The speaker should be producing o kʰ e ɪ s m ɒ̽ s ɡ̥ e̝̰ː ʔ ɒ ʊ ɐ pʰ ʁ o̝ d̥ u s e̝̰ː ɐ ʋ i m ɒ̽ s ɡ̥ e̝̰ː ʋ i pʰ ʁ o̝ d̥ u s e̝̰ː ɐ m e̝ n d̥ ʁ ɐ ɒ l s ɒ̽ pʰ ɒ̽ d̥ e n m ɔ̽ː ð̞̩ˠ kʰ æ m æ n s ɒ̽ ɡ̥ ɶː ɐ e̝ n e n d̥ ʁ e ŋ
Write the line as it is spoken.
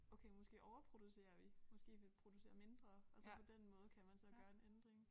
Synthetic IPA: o kʰ e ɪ m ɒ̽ s ɡ̥ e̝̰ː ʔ ɒ ʊ ɐ pʰ ʁ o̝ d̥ u s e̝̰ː ɐ ʋ i m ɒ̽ s ɡ̥ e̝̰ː ʋ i pʰ ʁ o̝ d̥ u s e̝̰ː ɐ m e̝ n d̥ ʁ ɐ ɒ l s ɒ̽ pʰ ɒ̽ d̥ e n m ɔ̽ː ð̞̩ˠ kʰ æ m æ n s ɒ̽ ɡ̥ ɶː ɐ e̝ n e n d̥ ʁ e ŋ